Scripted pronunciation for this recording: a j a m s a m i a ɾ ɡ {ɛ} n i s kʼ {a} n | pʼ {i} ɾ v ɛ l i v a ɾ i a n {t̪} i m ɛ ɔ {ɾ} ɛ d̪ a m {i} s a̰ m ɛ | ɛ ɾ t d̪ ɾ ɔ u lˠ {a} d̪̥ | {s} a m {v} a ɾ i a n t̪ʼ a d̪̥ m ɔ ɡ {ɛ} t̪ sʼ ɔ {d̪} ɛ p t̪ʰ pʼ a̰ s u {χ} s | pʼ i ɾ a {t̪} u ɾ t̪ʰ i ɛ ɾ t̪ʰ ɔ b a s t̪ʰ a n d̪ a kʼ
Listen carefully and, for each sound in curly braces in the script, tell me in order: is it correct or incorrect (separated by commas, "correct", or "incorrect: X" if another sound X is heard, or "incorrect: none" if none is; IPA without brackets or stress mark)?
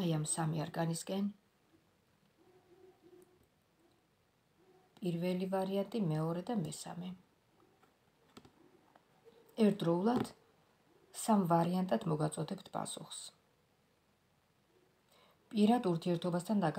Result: incorrect: a, incorrect: ɛ, correct, incorrect: t̪ʼ, correct, incorrect: ɛ, correct, correct, correct, incorrect: a, correct, correct, incorrect: d̪